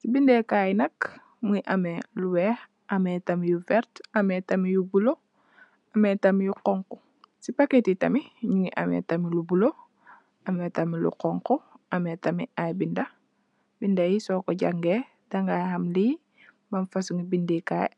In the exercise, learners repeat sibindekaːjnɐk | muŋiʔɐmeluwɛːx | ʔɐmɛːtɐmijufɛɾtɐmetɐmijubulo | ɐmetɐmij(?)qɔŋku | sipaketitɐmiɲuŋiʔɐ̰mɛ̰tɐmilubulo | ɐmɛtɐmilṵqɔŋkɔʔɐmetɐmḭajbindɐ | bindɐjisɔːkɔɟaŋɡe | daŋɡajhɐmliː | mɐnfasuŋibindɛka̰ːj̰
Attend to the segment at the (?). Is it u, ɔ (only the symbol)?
u